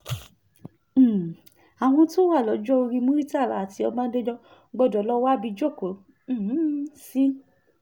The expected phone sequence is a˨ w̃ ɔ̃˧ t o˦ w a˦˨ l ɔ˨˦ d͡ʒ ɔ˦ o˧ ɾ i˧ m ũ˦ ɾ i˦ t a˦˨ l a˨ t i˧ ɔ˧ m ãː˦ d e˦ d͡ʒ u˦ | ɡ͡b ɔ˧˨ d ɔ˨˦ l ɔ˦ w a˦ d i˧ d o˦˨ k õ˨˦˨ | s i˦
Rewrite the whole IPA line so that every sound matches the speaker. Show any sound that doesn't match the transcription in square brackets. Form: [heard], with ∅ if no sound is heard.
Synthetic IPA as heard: a˨ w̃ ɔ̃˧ t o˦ w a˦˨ l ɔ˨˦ d͡ʒ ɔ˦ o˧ ɾ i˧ m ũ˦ ɾ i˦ t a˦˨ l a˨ t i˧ ɔ˧ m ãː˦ d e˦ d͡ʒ [ɔ˦] | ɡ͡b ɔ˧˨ d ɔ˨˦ l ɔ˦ w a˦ [b] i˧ [d͡ʒ] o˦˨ k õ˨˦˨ | s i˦